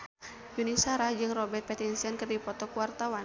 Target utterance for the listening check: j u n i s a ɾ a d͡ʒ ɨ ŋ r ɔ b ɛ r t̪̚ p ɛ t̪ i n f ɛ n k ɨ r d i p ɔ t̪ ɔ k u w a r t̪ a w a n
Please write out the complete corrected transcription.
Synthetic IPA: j u n i s a ɾ a d͡ʒ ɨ ŋ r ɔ b ɛ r t̪̚ p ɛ t̪ i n s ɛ n k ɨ r d i p ɔ t̪ ɔ k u w a r t̪ a w a n